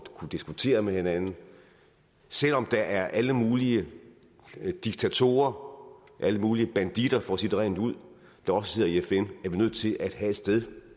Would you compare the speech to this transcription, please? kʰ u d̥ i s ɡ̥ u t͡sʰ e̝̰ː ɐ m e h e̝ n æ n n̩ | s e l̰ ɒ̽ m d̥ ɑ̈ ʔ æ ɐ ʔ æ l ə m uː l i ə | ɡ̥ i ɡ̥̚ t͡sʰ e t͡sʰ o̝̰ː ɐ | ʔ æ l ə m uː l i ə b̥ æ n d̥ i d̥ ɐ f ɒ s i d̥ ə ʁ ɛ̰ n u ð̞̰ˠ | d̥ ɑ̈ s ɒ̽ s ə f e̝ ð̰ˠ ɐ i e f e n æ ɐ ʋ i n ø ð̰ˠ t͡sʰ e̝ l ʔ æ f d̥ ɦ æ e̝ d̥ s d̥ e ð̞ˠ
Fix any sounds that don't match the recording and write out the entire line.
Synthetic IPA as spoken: kʰ u d̥ i s ɡ̥ u t͡sʰ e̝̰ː ɐ m e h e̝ n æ n n̩ | s e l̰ ɒ̽ m d̥ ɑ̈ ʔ æ ɐ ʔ æ l ə m uː l i ə | d̥ i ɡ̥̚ t͡sʰ æ t͡sʰ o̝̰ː ɐ | ʔ æ l ə m uː l i ə b̥ æ n d̥ i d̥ ɐ f ɒ s i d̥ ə ʁ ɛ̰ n u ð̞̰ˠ | d̥ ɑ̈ ɒ̽ s ə s e̝ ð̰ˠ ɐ i e f e n æ ɐ ʋ i n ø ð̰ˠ t͡sʰ e̝ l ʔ æ d̥ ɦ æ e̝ d̥ s d̥ e ð̞ˠ

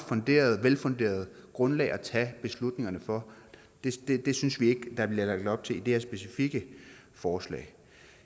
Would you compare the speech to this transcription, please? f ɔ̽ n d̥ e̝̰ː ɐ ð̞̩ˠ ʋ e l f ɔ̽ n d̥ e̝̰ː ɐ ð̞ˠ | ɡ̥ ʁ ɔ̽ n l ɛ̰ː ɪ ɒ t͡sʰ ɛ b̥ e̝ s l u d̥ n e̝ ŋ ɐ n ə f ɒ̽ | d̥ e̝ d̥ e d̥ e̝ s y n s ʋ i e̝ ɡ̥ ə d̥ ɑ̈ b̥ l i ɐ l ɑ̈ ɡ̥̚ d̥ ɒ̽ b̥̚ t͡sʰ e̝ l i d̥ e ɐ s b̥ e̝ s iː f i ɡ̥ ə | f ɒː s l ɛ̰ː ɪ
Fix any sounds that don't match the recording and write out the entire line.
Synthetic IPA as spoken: f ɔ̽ n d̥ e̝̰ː ɐ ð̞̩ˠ ʋ e l f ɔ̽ n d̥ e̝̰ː ɐ ð̞ˠ | ɡ̥ ʁ ɔ̽ n l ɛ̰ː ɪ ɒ t͡sʰ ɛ b̥ e̝ s l u d̥ n e̝ ŋ ɐ n ə f ɒ̽ | d̥ e̝ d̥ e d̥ e̝ s y n s ʋ i e̝ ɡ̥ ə d̥ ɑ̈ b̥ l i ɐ l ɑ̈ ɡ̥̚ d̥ ɒ̽ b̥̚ t͡sʰ e̝ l i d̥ e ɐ s b̥ e̝ s i f i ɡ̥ ə | f ɒː s l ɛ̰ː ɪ

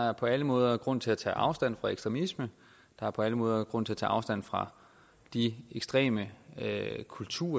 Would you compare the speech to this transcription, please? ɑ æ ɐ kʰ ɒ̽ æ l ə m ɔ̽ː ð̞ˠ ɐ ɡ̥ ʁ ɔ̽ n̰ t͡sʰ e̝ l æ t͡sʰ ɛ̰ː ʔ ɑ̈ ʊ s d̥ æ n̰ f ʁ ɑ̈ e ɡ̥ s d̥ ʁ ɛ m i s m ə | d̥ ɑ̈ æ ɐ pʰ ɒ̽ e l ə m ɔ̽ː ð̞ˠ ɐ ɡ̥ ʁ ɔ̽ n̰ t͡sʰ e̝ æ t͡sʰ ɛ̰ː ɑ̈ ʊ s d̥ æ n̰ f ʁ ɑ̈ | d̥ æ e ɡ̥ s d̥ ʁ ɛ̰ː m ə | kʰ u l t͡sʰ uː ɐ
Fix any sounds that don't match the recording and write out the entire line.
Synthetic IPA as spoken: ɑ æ ɐ pʰ ɒ̽ æ l ə m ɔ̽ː ð̞ˠ ɐ ɡ̥ ʁ ɔ̽ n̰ t͡sʰ e̝ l æ t͡sʰ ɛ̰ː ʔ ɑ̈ ʊ s d̥ æ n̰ f ʁ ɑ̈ e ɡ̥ s d̥ ʁ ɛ m i s m ə | d̥ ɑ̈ æ ɐ pʰ ɒ̽ æ l ə m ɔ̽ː ð̞ˠ ɐ ɡ̥ ʁ ɔ̽ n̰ t͡sʰ e̝ æ t͡sʰ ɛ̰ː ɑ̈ ʊ s d̥ æ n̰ f ʁ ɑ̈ | d̥ i e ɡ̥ s d̥ ʁ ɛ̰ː m ə | kʰ u l t͡sʰ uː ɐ

